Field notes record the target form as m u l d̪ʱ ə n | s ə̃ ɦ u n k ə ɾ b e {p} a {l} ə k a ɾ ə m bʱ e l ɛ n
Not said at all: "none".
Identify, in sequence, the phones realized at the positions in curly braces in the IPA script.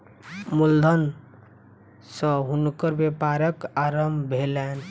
p, ɾ

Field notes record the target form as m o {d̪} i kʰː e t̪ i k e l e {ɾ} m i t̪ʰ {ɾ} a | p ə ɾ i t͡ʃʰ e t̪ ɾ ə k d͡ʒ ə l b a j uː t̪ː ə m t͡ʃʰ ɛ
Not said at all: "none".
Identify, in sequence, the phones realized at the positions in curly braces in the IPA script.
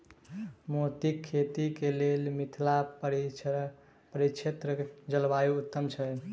t̪, l, l

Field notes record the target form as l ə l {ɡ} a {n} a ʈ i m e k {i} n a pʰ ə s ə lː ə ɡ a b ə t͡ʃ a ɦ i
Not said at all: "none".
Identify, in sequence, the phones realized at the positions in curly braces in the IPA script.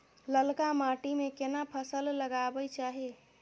k, m, e

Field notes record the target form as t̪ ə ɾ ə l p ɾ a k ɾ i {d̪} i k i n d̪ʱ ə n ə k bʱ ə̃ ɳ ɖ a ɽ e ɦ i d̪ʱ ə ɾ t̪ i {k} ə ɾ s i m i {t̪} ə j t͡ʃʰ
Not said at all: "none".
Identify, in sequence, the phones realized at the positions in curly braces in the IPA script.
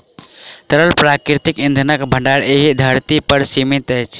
t̪, p, t̪

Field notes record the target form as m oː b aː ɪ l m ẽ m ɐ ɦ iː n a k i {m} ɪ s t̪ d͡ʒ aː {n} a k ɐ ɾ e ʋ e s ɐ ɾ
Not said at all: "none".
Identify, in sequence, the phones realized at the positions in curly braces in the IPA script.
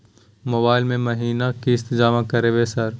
none, m

